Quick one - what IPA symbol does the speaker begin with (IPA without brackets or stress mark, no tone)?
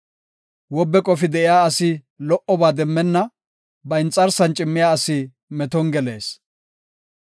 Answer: w